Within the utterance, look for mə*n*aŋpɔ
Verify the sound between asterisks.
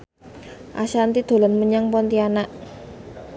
incorrect: ɲ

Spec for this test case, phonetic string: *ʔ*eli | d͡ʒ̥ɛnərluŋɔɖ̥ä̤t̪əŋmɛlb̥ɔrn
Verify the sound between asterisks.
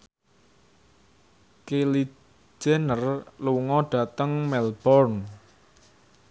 incorrect: k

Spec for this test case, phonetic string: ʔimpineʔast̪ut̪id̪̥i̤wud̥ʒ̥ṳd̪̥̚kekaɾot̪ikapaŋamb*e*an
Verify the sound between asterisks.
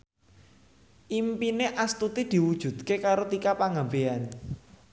correct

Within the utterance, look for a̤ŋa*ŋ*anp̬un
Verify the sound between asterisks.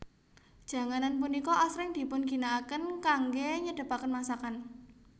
incorrect: n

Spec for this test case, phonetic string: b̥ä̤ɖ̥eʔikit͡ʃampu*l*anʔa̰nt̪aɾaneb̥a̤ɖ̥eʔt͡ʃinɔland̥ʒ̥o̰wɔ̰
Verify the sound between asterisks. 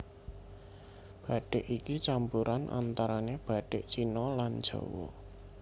incorrect: ɾ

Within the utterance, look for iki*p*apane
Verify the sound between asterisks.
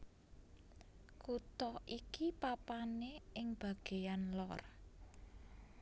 correct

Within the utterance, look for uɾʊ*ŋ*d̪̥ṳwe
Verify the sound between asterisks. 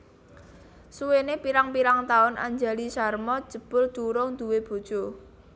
correct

